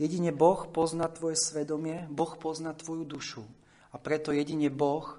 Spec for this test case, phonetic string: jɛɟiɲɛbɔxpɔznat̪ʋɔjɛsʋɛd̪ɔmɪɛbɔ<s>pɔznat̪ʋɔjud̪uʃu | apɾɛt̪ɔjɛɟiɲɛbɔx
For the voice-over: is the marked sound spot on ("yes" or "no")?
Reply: no